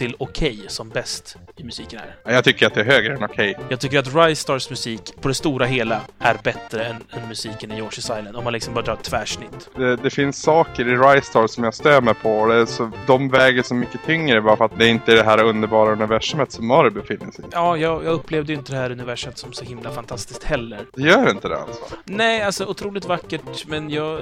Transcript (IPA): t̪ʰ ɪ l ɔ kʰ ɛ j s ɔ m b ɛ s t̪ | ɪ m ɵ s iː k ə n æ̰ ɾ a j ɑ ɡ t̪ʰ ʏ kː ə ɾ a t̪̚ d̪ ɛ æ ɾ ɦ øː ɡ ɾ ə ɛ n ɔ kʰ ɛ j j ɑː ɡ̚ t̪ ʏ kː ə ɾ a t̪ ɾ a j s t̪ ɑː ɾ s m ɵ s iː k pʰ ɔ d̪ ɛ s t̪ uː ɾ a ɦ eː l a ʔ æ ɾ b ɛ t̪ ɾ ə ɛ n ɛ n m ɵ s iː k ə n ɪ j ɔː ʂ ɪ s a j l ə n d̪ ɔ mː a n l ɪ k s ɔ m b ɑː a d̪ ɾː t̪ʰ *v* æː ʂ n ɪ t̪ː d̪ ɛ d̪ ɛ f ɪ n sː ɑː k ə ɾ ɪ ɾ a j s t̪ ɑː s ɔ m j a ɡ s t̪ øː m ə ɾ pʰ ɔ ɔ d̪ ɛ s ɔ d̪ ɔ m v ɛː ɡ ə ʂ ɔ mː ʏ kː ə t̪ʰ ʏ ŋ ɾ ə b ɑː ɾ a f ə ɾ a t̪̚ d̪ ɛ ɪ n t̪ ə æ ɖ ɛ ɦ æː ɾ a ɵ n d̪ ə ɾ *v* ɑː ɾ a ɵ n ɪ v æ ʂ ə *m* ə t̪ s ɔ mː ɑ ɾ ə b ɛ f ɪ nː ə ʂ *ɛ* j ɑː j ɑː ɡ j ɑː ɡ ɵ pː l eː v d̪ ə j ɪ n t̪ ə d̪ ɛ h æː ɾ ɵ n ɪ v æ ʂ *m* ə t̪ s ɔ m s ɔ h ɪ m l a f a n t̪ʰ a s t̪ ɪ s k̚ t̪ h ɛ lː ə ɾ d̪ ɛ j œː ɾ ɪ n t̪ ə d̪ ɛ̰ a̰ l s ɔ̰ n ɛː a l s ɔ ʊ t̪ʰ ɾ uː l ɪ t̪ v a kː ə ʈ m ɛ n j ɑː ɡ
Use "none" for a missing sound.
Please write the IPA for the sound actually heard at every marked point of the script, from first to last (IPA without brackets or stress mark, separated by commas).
v, b, m, ɛ, m